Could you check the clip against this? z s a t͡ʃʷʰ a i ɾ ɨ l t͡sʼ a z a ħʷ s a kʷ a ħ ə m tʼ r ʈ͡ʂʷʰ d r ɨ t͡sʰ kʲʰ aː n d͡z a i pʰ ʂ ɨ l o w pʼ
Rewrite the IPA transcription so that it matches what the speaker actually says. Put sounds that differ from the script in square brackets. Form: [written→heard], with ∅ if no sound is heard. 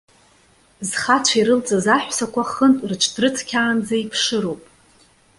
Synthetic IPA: z [s→χ] a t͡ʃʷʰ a i ɾ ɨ l t͡sʼ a z a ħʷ s a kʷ a [ħ→χ] ə [m→n] tʼ r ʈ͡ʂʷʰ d r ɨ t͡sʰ kʲʰ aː n d͡z a i pʰ ʂ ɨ [l→ɾ] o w pʼ